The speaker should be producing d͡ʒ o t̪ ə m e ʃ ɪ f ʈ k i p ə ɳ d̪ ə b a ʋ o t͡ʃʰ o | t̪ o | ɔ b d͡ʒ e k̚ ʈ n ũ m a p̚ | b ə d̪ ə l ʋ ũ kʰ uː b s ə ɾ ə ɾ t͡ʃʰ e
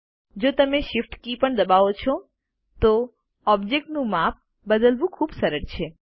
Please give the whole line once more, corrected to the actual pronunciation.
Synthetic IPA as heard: d͡ʒ o t̪ ə m e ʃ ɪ f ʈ k i p ə ɳ d̪ ə b a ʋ o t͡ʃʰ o | t̪ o | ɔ b d͡ʒ e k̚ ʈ n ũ m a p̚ | b ə d̪ ə l ʋ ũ kʰ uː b s ə ɾ ə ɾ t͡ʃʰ e